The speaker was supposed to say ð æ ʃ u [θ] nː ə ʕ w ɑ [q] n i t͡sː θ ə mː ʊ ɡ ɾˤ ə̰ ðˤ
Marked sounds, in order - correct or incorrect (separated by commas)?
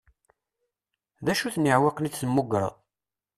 correct, correct